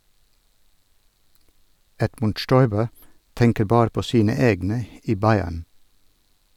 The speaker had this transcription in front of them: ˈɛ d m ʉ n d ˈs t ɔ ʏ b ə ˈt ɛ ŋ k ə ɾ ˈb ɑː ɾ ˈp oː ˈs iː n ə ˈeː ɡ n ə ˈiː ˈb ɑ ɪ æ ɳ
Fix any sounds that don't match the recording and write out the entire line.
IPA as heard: ˈɛ d m ʉ n d ˈʃ t ɔ ʏ b ə ˈt ɛ ŋ k ə ɾ ˈb ɑː ɾ ˈp oː ˈs iː n ə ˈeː ɡ n ə ˈiː ˈb ɑ ɪ æ ɳ